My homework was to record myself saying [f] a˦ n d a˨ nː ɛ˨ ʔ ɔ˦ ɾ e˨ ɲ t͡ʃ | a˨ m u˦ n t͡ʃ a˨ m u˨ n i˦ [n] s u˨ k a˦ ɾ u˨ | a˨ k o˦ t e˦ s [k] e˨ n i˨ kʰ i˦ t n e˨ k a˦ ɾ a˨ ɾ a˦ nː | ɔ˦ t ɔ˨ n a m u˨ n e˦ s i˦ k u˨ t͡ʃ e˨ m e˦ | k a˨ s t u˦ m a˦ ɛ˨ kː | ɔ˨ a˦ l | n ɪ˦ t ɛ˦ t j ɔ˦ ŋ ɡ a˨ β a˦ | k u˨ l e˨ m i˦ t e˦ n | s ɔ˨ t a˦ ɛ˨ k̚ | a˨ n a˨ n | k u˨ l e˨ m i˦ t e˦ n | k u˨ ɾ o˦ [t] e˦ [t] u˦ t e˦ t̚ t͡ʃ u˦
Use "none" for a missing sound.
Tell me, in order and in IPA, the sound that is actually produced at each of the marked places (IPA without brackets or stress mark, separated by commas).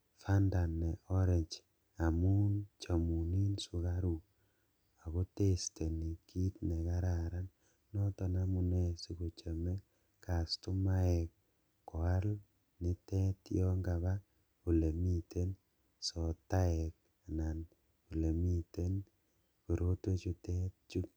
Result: f, n, t, t, t͡ʃ